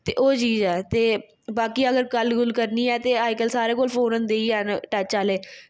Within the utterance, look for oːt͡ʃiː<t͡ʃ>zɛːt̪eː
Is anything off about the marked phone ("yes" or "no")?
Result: yes